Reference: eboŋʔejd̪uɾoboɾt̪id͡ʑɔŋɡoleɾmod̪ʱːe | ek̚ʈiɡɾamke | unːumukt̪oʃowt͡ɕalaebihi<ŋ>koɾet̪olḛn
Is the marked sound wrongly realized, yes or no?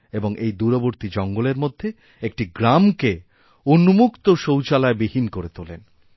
yes